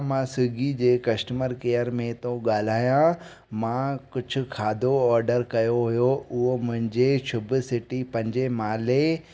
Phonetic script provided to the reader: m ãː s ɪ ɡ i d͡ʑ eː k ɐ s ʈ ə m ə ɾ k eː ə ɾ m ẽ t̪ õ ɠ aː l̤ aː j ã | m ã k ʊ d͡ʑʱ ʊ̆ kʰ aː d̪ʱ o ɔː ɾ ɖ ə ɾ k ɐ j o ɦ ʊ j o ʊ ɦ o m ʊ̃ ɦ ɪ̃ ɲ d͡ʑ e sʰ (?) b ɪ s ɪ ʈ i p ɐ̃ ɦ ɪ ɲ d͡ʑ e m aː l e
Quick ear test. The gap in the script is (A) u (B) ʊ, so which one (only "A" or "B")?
B